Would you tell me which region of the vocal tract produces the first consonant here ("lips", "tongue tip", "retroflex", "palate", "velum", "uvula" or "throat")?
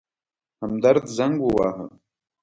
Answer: throat